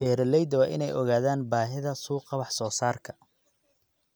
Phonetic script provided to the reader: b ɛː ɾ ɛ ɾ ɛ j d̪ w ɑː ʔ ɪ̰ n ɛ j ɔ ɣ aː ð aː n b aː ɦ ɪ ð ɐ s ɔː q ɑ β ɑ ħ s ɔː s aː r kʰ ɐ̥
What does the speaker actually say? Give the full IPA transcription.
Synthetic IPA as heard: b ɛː ɾ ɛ l ɛ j d̪ w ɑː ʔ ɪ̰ n ɛ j ɔ ɣ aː ð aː n b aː ɦ ɪ ð ɐ s uː q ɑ β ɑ ħ s ɔː s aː r kʰ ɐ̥